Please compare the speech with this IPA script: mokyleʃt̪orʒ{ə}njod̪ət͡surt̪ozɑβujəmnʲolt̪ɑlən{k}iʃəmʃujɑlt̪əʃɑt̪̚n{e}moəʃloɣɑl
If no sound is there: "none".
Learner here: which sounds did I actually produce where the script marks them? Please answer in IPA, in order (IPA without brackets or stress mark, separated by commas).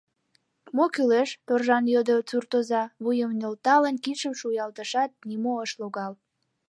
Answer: ɑ, k, i